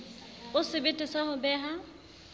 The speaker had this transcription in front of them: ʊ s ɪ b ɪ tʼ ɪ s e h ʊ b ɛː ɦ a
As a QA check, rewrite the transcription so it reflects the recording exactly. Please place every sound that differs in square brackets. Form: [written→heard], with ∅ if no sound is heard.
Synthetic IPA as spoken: ʊ s ɪ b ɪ tʼ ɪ s [e→a] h ʊ b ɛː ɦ a